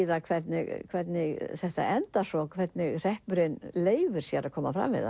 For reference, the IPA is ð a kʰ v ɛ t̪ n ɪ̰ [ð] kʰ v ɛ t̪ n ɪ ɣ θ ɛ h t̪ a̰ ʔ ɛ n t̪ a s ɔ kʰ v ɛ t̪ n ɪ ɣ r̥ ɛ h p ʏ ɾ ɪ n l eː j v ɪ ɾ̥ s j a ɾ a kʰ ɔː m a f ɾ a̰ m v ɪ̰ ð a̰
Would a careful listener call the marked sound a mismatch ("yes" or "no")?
yes